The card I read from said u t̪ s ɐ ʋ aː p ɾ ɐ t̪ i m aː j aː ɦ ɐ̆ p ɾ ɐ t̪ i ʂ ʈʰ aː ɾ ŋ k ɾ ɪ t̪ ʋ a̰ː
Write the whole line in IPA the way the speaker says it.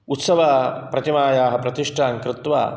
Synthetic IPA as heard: u t̪ s ɐ ʋ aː p ɾ ɐ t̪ i m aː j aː ɦ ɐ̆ p ɾ ɐ t̪ i ʂ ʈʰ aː ŋ k ɾ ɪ t̪ ʋ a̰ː